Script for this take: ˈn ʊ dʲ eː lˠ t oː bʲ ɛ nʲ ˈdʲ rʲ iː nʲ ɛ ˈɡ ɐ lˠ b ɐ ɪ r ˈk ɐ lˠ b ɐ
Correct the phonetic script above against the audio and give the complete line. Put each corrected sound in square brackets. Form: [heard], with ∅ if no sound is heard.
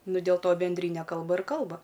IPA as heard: ˈn ʊ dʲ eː lˠ t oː bʲ ɛ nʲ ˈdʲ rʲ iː nʲ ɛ [ˈk] ɐ lˠ b ɐ ɪ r ˈk ɐ lˠ b ɐ